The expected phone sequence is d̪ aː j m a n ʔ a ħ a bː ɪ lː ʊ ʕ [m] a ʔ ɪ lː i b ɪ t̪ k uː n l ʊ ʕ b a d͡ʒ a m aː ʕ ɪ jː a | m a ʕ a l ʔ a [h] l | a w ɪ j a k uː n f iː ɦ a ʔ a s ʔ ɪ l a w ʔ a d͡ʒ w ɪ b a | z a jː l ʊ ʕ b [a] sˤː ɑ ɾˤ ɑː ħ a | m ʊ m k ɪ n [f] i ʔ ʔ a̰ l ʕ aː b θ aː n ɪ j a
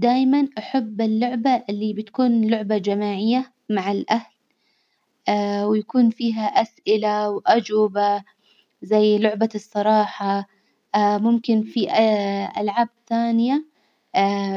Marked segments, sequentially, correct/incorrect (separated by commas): incorrect, correct, correct, correct